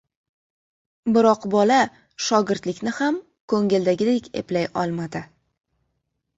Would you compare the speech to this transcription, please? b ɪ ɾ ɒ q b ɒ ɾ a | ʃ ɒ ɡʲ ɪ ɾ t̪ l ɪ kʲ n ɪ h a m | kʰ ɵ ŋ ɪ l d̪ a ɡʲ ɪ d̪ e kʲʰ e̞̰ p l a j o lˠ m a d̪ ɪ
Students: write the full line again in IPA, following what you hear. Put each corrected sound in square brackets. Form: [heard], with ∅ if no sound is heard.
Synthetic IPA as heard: b ɪ ɾ ɒ q b ɒ [l] a | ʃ ɒ ɡʲ ɪ ɾ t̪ l ɪ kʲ n ɪ h a m | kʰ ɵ ŋ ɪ l d̪ a ɡʲ ɪ d̪ e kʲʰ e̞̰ p l a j [ɒ] lˠ m a d̪ ɪ